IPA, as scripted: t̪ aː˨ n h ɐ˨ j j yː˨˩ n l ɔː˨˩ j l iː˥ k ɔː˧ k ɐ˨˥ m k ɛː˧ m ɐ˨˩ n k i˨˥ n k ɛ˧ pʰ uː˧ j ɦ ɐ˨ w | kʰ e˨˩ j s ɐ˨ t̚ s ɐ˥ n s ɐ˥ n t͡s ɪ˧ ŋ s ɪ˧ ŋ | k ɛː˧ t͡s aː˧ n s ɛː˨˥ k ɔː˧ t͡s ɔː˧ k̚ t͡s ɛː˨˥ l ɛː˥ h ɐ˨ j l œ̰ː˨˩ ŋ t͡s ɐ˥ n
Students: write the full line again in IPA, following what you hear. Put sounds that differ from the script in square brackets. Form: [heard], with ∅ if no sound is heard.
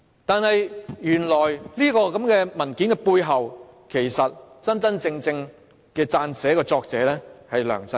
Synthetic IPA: t̪ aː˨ n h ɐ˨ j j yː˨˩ n l ɔː˨˩ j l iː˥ k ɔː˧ k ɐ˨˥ m k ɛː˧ m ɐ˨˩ n k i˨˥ n k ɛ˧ [p] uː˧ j ɦ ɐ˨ w | kʰ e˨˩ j s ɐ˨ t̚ [t͡s] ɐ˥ n [t͡s] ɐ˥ n t͡s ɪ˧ ŋ [t͡s] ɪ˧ ŋ | k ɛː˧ t͡s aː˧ n s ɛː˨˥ k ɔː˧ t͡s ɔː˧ k̚ t͡s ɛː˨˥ l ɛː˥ h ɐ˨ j l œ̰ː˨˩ ŋ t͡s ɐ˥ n